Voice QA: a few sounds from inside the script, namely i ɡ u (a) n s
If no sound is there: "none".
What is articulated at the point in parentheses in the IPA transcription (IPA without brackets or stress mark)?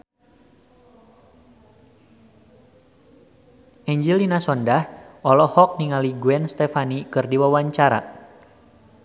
ɛ